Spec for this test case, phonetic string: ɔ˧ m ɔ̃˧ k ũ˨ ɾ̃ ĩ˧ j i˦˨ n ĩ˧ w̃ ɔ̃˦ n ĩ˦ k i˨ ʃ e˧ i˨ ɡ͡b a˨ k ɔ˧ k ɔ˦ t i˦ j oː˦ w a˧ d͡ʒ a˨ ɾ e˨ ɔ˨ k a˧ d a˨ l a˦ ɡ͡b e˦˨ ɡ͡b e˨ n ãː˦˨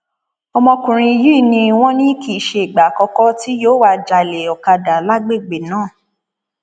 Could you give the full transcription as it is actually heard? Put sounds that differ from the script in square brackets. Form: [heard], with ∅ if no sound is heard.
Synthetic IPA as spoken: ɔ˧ m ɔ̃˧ k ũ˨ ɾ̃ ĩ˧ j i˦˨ n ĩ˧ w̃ ɔ̃˦ n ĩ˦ k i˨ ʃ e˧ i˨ ɡ͡b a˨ k ɔ˧ k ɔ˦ t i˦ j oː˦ w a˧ d͡ʒ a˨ [l] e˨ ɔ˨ k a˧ d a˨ l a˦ ɡ͡b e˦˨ ɡ͡b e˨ n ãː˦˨